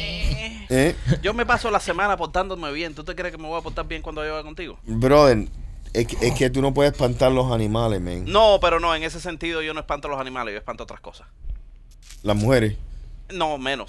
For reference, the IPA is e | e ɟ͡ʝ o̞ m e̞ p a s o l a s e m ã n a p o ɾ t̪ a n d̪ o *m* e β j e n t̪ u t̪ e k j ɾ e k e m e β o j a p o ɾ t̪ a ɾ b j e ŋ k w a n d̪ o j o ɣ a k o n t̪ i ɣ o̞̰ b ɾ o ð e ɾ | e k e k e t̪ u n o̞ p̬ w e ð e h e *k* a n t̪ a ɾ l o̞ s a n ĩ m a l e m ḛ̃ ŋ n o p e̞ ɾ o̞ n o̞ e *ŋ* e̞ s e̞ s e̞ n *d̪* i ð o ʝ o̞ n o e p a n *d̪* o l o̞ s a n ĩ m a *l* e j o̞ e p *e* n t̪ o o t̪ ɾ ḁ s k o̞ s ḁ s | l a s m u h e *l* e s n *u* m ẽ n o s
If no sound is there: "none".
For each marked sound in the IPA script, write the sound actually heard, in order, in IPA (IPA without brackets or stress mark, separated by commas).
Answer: m, p, ŋ, t̪, t̪, l, a, ɾ, o